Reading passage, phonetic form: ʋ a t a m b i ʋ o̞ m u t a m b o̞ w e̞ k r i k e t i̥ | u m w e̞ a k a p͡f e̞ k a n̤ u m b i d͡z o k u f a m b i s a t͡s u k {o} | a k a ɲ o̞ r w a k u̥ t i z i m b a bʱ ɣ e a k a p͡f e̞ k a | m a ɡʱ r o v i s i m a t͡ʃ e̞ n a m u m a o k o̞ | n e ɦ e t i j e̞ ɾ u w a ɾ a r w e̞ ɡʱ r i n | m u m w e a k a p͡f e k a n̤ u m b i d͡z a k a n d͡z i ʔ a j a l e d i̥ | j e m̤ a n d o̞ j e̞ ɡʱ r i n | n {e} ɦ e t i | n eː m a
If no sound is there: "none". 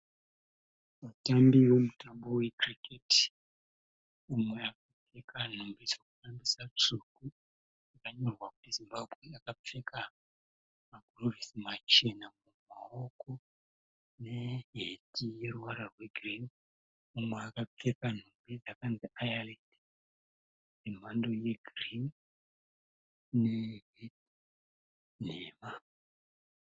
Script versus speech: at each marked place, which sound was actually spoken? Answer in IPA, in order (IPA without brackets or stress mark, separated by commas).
u, e